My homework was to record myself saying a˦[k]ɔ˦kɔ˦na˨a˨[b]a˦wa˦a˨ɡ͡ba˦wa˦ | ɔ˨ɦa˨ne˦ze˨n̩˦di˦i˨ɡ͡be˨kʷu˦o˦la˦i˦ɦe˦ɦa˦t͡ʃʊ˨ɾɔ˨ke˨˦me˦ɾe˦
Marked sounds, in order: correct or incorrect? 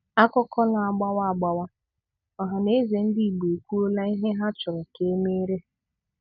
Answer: correct, incorrect: ɡ͡b

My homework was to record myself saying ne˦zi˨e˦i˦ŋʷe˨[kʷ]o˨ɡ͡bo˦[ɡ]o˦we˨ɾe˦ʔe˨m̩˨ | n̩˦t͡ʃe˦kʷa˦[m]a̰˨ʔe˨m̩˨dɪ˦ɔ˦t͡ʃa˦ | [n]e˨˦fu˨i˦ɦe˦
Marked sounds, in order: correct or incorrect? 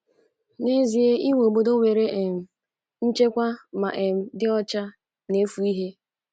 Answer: incorrect: none, incorrect: d, correct, correct

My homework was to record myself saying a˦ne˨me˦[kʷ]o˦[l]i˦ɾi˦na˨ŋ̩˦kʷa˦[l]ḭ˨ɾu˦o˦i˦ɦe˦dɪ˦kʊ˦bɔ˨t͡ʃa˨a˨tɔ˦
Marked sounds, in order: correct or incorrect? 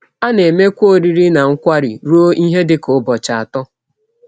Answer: correct, incorrect: ɾ, incorrect: ɾ

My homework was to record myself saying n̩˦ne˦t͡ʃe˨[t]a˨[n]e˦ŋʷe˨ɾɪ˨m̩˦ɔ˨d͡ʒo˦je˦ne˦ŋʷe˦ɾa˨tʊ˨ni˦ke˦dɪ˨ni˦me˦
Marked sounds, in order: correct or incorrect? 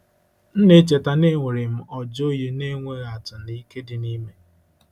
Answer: correct, correct

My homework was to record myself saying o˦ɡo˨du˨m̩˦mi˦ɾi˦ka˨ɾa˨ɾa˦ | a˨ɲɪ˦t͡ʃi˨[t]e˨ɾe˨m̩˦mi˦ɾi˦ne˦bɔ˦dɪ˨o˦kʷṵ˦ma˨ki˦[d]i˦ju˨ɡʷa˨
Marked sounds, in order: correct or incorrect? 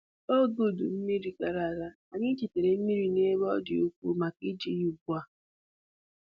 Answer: correct, incorrect: d͡ʒ

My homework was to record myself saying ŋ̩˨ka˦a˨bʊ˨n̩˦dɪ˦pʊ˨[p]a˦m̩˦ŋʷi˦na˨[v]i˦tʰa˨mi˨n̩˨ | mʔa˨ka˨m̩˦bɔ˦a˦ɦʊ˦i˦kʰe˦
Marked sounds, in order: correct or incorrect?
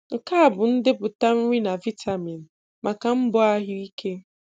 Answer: incorrect: t, correct

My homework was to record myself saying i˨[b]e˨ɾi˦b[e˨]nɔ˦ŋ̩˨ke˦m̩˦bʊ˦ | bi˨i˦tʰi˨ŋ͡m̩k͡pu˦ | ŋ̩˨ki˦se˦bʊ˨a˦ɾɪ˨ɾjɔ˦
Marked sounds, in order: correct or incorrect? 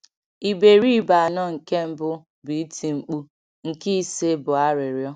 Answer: correct, incorrect: a˨

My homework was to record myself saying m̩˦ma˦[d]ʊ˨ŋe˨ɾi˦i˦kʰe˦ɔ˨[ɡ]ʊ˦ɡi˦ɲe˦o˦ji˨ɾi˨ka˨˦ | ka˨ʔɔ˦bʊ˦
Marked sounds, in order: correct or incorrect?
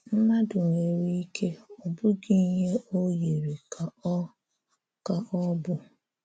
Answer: correct, incorrect: b

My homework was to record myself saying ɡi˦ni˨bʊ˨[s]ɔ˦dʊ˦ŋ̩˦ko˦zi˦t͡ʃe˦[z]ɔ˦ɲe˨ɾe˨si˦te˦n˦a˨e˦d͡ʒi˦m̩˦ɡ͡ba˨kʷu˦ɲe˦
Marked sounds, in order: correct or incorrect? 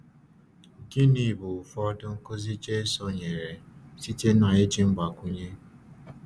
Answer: incorrect: f, incorrect: s

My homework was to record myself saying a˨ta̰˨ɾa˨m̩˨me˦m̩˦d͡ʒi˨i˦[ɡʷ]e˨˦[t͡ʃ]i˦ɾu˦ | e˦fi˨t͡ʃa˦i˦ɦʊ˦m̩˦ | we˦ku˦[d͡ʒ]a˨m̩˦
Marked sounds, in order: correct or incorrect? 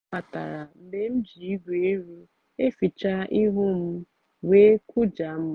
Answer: correct, incorrect: none, correct

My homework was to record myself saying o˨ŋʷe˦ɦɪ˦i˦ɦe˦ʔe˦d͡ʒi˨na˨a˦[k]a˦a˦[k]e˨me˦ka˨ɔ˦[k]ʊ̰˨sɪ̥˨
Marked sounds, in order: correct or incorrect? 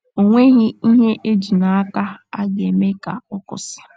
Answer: correct, incorrect: ɡ, correct

